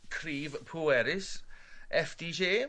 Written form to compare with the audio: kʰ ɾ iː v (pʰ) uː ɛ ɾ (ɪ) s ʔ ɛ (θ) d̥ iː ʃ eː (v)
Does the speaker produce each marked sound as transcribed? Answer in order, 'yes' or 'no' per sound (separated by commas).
yes, yes, no, no